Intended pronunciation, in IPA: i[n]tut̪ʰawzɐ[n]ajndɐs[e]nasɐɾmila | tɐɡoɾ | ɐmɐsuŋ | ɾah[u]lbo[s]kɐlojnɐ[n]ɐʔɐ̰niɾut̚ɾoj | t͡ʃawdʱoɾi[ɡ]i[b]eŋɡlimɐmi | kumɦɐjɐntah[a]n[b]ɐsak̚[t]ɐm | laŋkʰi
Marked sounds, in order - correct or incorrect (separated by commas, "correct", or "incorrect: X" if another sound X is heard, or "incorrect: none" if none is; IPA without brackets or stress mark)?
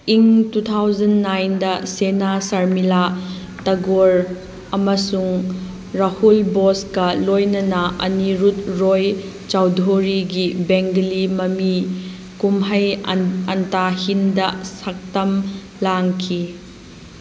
incorrect: ŋ, incorrect: nː, correct, correct, correct, correct, correct, correct, incorrect: i, incorrect: d, correct